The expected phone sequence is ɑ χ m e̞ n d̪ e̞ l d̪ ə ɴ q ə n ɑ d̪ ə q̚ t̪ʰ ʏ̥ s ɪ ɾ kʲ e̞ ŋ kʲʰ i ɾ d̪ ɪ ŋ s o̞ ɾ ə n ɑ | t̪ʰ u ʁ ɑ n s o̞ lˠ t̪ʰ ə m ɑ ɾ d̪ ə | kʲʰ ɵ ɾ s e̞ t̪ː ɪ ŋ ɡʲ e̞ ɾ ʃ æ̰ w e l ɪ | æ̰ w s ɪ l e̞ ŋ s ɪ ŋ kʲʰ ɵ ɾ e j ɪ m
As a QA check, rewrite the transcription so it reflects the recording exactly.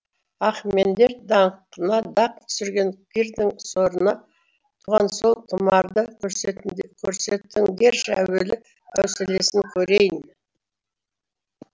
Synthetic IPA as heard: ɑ χ m e̞ n d̪ e̞ ɾ d̪ ɑ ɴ q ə n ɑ d̪ ɑ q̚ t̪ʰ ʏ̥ s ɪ ɾ ɡʲ e̞ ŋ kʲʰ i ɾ d̪ ɪ ŋ s o̞ ɾ ə n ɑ | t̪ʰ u ʁ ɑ n s o̞ lˠ t̪ʰ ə m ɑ ɾ d̪ ə | kʲʰ ɵ ɾ s e̞ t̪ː ɪ ŋ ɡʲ e̞ ɾ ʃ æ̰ w e l ɪ | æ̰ w s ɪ l e̞ s ɪ ŋ kʲʰ ɵ ɾ e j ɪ n

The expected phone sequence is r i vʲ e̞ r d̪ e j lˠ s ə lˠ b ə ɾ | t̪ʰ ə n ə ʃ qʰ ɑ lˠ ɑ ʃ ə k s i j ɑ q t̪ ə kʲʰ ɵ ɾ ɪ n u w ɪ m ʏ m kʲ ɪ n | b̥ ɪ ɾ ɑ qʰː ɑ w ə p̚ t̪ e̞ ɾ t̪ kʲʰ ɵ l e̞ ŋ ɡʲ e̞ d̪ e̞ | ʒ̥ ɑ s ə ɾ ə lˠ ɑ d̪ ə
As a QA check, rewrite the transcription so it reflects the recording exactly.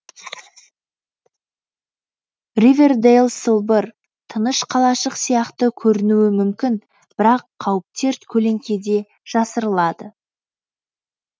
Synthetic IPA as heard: r i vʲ e̞ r d̪ e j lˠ s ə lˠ b ə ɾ | t̪ʰ ə n ə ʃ qʰ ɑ lˠ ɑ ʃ ə q s i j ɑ q t̪ ə kʲʰ ɵ ɾ ɪ n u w ɪ m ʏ m kʲ ɪ n | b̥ ɪ ɾ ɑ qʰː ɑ w ə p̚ t̪ e̞ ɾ t̪ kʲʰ ɵ l e̞ ŋ kʲ e̞ d̪ e̞ | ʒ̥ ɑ s ə ɾ ə lˠ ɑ d̪ ə

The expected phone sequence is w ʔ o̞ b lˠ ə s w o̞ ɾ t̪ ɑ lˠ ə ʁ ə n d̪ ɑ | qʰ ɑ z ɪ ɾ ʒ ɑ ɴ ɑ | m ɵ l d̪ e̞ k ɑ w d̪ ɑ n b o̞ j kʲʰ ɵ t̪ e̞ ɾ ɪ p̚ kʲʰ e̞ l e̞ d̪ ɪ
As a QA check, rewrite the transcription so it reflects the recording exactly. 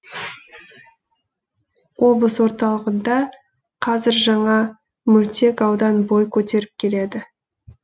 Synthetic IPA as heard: w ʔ o̞ b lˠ ə s w o̞ ɾ t̪ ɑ lˠ ə ʁ ə n d̪ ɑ | qʰ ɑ z ɪ ɾ ʒ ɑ ɴ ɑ | m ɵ l t̪ e̞ k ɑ w d̪ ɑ n b o̞ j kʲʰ ɵ t̪ e̞ ɾ ɪ p̚ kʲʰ e̞ l e̞ d̪ ɪ

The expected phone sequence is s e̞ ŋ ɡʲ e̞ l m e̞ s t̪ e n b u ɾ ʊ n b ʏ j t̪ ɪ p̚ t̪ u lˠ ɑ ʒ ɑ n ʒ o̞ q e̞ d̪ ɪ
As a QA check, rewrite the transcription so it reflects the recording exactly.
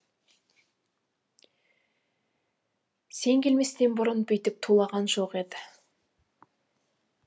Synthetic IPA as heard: s e̞ ŋ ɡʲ e̞ l m e̞ s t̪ e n b ʊ ɾ ʊ n b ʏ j t̪ ɪ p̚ t̪ʰ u lˠ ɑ ʁ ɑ n ʒ o̞ q e̞ d̪ ɪ

